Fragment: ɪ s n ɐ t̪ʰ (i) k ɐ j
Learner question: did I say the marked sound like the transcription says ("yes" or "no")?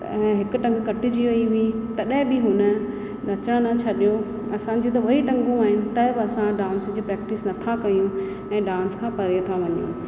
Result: no